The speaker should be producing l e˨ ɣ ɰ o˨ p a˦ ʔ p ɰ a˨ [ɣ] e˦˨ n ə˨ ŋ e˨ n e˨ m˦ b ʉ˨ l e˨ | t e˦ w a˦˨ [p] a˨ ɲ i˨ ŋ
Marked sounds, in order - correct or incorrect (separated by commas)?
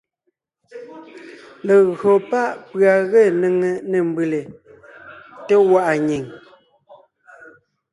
correct, incorrect